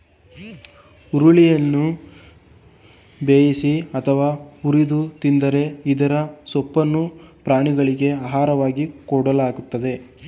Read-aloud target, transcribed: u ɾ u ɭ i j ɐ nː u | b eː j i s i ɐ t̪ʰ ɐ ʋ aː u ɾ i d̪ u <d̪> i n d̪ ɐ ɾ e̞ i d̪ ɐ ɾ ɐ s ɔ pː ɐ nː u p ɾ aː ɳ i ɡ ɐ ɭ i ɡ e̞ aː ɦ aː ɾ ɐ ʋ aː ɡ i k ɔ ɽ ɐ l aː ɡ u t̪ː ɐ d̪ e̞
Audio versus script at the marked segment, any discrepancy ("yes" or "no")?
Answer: yes